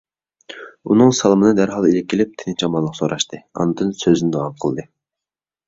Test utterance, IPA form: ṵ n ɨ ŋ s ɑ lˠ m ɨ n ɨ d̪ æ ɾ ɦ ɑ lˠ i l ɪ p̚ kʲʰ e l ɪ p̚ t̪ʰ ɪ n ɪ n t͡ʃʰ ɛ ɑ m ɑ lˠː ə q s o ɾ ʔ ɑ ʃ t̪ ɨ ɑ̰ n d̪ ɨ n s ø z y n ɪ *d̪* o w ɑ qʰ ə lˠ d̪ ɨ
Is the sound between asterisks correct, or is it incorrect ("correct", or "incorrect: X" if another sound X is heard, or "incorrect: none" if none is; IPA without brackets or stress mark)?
correct